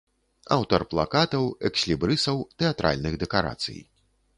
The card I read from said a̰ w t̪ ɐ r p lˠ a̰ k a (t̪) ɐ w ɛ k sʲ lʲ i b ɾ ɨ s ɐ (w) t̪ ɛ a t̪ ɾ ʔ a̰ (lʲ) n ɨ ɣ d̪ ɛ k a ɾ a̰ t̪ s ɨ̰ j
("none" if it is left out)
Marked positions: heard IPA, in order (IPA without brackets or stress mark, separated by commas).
t̪, w, lʲ